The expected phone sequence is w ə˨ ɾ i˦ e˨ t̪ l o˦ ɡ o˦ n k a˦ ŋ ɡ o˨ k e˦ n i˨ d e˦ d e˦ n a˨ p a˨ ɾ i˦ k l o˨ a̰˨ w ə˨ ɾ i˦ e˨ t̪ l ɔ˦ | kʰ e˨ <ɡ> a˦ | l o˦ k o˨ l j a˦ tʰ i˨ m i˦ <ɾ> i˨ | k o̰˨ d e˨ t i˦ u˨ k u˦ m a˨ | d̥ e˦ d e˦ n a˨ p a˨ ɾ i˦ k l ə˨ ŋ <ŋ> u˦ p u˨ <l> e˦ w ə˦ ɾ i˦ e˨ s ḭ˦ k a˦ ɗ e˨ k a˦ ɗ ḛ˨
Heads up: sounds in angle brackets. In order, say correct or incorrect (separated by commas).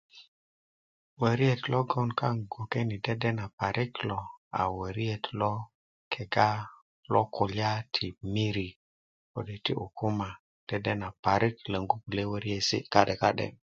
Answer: correct, correct, incorrect, correct